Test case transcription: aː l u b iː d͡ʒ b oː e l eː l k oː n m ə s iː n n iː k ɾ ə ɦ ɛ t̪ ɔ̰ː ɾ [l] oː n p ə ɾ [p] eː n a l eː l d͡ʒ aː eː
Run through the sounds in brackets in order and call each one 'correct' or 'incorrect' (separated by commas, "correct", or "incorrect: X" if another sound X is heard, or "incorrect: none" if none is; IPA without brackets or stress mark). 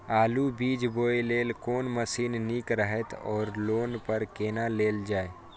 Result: correct, incorrect: k